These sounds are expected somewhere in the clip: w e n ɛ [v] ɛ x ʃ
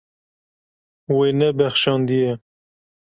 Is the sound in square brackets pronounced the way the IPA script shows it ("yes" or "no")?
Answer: no